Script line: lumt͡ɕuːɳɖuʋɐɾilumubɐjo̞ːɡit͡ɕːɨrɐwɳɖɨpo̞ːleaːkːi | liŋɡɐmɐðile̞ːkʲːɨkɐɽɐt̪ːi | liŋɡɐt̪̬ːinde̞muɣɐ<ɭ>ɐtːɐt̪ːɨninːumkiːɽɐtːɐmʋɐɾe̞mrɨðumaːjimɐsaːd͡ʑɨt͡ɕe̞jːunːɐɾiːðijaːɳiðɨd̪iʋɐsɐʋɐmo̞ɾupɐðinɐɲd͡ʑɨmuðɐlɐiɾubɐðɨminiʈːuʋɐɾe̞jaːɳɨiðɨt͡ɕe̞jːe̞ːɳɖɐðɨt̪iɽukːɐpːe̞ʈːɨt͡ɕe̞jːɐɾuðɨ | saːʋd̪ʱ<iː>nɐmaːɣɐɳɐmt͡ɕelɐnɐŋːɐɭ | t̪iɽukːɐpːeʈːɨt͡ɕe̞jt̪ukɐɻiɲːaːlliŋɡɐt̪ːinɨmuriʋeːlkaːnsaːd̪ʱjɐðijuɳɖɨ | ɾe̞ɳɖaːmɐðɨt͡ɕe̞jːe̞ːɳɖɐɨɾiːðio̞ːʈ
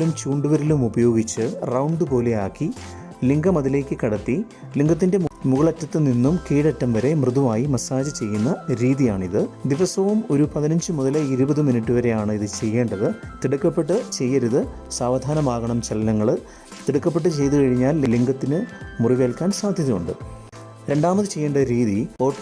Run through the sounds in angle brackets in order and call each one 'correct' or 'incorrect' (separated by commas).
correct, incorrect